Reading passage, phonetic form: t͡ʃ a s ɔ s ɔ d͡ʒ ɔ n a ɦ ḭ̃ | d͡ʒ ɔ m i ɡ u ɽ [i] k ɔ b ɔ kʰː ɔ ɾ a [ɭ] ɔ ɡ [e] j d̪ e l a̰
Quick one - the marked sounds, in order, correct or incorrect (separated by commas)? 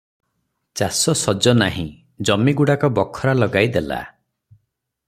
incorrect, incorrect, incorrect